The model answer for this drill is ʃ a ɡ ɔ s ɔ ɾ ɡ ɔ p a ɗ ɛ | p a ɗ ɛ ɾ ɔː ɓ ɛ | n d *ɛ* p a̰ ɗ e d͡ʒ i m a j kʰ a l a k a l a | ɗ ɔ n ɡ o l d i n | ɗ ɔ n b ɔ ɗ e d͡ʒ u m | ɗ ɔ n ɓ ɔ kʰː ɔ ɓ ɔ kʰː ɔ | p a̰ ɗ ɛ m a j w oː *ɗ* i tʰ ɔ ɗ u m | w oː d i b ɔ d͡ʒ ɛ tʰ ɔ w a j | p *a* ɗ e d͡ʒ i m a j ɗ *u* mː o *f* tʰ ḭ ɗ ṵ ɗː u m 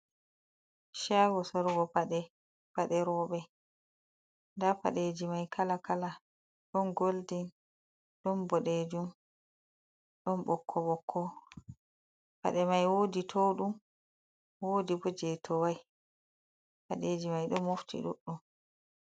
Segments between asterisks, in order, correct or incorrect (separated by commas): incorrect, incorrect, correct, incorrect, correct